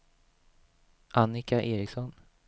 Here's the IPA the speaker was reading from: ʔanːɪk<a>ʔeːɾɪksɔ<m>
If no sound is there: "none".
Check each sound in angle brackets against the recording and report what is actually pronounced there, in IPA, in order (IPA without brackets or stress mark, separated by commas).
a, n